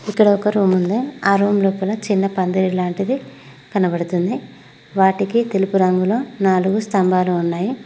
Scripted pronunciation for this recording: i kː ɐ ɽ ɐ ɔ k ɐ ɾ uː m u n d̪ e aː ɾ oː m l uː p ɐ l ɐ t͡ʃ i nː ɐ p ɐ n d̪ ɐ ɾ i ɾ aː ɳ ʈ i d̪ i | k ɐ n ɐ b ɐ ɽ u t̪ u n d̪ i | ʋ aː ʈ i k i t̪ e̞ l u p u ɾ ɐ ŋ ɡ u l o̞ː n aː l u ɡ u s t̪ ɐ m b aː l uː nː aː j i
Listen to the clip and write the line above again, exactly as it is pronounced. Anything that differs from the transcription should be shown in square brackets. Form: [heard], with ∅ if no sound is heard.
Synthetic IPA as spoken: i kː ɐ ɽ ɐ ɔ k ɐ ɾ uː m u n d̪ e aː ɾ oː m l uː p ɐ l ɐ t͡ʃ i nː ɐ p ɐ n d̪ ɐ ɾ i [l] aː ɳ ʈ i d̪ i | k ɐ n ɐ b ɐ ɽ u t̪ u n d̪ i | ʋ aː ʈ i k i t̪ e̞ l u p u ɾ ɐ ŋ ɡ u l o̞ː n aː l u ɡ u s t̪ ɐ m b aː l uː nː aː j i

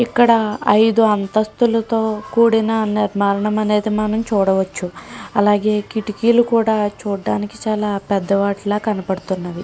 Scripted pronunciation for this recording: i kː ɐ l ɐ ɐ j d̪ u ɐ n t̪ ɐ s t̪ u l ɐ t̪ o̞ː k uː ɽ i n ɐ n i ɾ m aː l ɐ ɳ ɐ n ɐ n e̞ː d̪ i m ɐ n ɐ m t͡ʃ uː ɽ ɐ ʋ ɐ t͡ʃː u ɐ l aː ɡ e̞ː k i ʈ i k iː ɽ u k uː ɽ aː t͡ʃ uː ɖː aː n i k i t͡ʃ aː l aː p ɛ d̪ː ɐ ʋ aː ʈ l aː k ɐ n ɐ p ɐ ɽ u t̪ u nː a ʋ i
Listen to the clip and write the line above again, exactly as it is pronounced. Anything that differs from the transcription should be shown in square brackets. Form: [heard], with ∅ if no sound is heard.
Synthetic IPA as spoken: i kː ɐ [ɽ] ɐ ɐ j d̪ u ɐ n t̪ ɐ s t̪ u l ɐ t̪ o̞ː k uː ɽ i n ɐ n i ɾ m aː l ɐ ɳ ɐ [m] ɐ n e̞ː d̪ i m ɐ n ɐ m t͡ʃ uː ɽ ɐ ʋ ɐ t͡ʃː u ɐ l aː ɡ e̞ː k i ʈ i k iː [l] u k uː ɽ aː t͡ʃ uː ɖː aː n i k i t͡ʃ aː l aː p ɛ d̪ː ɐ ʋ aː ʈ l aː k ɐ n ɐ p ɐ ɽ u t̪ u nː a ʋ i

